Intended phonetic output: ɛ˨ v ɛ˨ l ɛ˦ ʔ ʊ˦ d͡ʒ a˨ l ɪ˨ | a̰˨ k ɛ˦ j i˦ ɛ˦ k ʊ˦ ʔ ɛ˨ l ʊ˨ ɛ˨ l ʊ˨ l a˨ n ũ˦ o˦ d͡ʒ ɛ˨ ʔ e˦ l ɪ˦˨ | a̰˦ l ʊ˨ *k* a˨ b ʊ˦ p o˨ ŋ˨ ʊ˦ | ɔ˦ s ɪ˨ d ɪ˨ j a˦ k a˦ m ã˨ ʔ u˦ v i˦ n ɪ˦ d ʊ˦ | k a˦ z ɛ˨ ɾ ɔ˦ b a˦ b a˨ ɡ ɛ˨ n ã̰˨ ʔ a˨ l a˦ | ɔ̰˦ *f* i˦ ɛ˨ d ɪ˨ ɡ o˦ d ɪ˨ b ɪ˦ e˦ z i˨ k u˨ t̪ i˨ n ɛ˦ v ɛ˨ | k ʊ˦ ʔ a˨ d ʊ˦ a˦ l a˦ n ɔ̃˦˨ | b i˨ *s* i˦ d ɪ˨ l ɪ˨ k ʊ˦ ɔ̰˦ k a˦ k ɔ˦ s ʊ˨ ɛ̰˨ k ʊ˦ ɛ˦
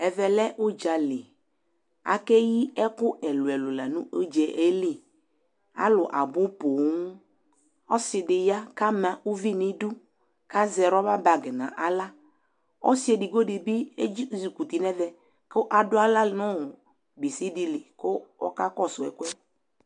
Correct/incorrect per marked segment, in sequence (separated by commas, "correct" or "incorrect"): incorrect, incorrect, correct